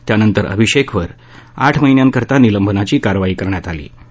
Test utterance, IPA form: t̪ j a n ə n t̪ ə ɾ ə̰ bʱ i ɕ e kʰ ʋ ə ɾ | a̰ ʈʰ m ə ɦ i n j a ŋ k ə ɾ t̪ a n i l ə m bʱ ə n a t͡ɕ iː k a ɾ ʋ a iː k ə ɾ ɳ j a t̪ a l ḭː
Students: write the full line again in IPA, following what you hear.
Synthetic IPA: t̪ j a n ə n t̪ ə ɾ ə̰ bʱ i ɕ e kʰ ʋ ə ɾ | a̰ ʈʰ m ə ɦ i n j a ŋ k ə ɾ t̪ a n i l ə m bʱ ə n a t͡ɕ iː k a ɾ ʋ a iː k ə ɾ ɳ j a t̪ a l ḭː

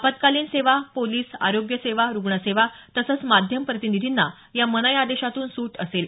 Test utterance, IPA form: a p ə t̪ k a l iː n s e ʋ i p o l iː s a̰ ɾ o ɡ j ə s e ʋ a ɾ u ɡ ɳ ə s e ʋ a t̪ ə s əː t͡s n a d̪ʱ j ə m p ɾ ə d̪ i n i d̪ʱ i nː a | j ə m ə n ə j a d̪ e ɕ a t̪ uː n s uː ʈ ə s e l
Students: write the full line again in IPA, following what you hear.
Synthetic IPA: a p ə t̪ k a l iː n s e ʋ a p o l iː s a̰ ɾ o ɡ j ə s e ʋ a ɾ u ɡ ɳ ə s e ʋ a t̪ ə s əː t͡s m a d̪ʱ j ə m p ɾ ə t̪ i n i d̪ʱ i nː a | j a m ə n ə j a d̪ e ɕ a t̪ uː n s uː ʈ ə s e l

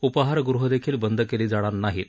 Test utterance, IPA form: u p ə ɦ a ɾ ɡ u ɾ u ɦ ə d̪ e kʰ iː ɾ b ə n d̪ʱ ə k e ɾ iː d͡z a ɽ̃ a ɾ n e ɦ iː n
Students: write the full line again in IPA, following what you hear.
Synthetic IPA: u p ə ɦ a ɾ ɡ u ɾ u ɦ ə d̪ e kʰ iː l b ə n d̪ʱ ə k e l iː d͡z a ɽ̃ a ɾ n a ɦ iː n

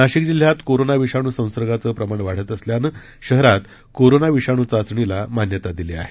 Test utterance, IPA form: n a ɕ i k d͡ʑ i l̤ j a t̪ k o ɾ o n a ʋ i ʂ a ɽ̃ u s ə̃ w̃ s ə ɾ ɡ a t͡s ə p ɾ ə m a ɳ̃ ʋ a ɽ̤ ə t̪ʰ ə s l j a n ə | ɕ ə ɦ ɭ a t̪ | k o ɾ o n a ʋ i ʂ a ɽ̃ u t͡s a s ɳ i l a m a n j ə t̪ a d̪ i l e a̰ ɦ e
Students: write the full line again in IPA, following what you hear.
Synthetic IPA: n a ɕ i k d͡ʑ i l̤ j a t̪ k o ɾ o n a ʋ i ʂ a ɽ̃ u s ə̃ w̃ s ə ɾ ɡ a t͡s ə p ɾ ə m a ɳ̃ ʋ a ɽ̤ ə t̪ ə s l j a n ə | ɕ ə ɦ ɾ a t̪ | k o ɾ o n a ʋ i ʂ a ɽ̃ u t͡s a s ɳ i l a m a n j ə t̪ a d̪ i l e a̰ ɦ e

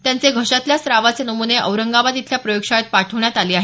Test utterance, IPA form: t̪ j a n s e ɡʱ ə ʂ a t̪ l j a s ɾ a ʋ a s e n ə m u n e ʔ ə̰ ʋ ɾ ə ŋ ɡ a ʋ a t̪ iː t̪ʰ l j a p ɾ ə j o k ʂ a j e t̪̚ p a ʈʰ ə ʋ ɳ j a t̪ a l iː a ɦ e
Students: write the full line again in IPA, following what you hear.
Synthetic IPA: t̪ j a n t͡s e ɡʱ ə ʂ a t̪ l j a s ɾ a ʋ a t͡s e n ə m u n e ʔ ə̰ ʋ ɾ ə ŋ ɡ a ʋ a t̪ i t̪ʰ l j a p ɾ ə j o k ʂ a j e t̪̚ p a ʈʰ ə ʋ ɳ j a t̪ a l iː a ɦ e

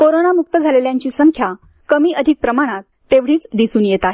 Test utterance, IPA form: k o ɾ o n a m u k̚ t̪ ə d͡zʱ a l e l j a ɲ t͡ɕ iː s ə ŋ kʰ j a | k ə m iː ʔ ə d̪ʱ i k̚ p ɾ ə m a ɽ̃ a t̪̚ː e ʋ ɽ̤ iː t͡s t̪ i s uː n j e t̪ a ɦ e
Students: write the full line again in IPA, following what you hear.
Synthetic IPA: k o ɾ o n a m u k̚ t̪ ə d͡zʱ a l e l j a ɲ t͡ɕ iː s ə ŋ kʰ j a | k ə m iː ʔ ə d̪ʱ i k̚ p ɾ ə m a ɽ̃ a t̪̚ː e ʋ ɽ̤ iː t͡s d̪ i s uː n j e t̪ a ɦ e

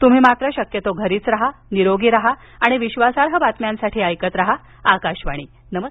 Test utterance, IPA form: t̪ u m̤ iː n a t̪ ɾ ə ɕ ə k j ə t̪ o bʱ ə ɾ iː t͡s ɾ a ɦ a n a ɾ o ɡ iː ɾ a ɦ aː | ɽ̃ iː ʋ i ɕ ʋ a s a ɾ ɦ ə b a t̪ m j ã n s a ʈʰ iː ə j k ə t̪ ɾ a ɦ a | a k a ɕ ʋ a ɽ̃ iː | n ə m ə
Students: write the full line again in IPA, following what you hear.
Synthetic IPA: t̪ u m̤ iː m a t̪ ɾ ə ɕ ə k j ə t̪ o ɡʱ ə ɾ iː t͡s ɾ a ɦ a n i ɾ o ɡ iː ɾ a ɦ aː | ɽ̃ i ʋ i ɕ ʋ a s a ɾ ɦ ə b a t̪ m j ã n s a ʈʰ iː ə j k ə t̪ ɾ a ɦ a | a k a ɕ ʋ a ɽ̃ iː | n ə m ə

